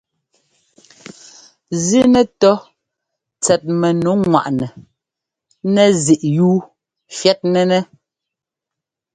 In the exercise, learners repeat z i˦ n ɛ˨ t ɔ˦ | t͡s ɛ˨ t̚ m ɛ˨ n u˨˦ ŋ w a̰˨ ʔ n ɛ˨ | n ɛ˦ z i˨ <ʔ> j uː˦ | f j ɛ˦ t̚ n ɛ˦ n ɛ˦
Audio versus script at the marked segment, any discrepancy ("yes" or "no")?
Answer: no